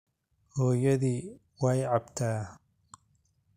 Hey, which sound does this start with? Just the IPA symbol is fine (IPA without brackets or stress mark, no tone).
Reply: h